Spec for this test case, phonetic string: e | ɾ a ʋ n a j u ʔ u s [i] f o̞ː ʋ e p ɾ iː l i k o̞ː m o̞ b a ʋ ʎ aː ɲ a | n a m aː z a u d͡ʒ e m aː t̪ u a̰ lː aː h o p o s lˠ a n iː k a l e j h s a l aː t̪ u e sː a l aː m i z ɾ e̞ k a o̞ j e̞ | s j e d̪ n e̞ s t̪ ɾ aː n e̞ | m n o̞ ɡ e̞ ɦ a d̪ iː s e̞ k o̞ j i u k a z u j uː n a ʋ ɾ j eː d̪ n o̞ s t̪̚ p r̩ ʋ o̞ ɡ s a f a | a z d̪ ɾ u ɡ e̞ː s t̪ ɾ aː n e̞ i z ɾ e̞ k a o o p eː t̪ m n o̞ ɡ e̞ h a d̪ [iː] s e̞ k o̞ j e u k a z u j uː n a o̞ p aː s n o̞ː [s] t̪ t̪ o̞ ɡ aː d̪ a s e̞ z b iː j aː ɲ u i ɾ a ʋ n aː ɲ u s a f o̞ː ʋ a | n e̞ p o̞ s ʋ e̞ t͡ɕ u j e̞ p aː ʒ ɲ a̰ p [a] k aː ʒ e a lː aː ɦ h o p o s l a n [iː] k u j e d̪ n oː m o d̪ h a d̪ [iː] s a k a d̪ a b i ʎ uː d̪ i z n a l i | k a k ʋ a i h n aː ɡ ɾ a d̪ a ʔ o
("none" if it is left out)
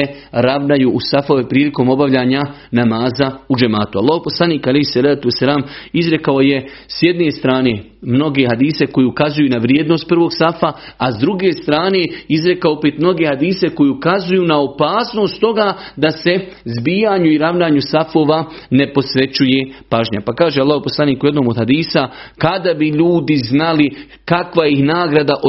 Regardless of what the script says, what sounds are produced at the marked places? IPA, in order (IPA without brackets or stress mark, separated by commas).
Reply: a, iː, s, a, iː, iː